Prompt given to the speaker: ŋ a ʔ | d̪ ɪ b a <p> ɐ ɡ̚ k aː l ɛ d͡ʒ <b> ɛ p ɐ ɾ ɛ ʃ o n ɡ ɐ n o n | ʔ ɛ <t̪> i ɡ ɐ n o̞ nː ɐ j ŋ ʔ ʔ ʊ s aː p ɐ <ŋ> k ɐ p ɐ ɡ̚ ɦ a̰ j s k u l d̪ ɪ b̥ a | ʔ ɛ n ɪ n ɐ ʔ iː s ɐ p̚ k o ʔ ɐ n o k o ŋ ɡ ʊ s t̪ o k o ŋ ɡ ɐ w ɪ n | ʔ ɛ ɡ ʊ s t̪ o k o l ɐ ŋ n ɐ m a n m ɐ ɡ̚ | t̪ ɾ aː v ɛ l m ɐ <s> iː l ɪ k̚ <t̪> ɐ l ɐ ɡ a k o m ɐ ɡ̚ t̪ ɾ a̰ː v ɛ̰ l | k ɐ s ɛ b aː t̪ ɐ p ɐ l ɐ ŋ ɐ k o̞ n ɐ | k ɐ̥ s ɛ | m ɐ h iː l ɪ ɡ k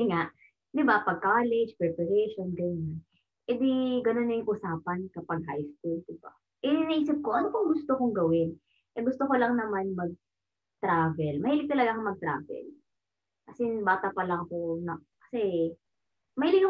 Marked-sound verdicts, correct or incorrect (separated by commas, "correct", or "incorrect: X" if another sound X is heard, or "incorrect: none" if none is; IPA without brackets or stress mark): correct, incorrect: p, incorrect: d̪, incorrect: n, incorrect: h, correct